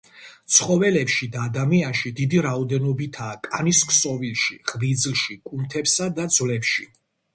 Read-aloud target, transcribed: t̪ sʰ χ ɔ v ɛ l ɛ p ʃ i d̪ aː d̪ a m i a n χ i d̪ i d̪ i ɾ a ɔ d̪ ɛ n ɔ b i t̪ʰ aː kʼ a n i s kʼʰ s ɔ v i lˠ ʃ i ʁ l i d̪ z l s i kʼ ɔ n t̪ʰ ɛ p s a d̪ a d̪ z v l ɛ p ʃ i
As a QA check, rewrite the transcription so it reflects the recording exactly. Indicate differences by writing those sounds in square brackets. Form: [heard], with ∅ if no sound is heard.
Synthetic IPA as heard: t̪ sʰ χ ɔ v ɛ l ɛ p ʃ i d̪ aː d̪ a m i a n [ʃ] i d̪ i d̪ i ɾ a ɔ d̪ ɛ n ɔ b i t̪ʰ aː kʼ a n i s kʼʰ s ɔ v i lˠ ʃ i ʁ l i d̪ z l [ʃ] i kʼ [u] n t̪ʰ ɛ p s a d̪ a d̪ z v l ɛ p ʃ i